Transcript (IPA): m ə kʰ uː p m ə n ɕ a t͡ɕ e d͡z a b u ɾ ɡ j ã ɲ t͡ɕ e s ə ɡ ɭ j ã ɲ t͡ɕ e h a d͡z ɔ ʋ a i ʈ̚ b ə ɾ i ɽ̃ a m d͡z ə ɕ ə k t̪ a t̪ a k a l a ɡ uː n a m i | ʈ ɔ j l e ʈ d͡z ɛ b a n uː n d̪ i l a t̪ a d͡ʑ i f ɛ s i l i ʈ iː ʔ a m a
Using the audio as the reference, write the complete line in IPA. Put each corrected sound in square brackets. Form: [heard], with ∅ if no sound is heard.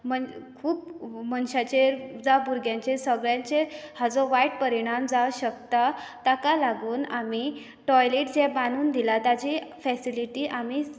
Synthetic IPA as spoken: m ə kʰ uː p m ə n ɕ a t͡ɕ e d͡z a b u ɾ ɡ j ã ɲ t͡ɕ e s ə ɡ ɭ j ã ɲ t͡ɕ e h a d͡z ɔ ʋ a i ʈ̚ [p] ə ɾ i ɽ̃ a m d͡z [a] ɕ ə k t̪ a t̪ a k a l a ɡ uː n a m i | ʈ ɔ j l e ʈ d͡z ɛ b a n uː n d̪ i l a t̪ a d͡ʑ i f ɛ s i l i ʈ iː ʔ a m [i]